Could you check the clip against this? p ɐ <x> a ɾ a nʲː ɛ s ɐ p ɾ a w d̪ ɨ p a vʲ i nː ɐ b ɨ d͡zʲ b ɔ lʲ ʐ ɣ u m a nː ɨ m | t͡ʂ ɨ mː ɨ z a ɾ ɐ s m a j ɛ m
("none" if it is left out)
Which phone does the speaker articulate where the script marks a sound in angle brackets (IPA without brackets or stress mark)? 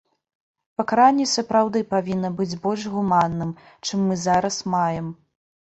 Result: k